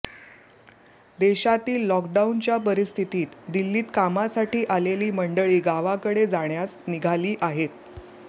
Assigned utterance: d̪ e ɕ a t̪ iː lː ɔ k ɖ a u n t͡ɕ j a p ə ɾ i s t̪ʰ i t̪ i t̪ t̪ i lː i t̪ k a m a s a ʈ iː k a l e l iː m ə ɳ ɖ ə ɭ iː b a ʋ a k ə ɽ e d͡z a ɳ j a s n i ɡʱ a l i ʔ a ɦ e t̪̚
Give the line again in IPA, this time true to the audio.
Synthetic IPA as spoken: d̪ e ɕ a t̪ iː lː ɔ k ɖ a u n t͡ɕ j a p ə ɾ i s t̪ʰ i t̪ iː t̪ d̪ i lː iː t̪ k a m a s a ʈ iː ʔ a l e l iː m ə ɳ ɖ ə ɭ iː ɡ a ʋ a k ə ɽ e d͡z a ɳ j a s n i ɡʱ a l iː ʔ a ɦ e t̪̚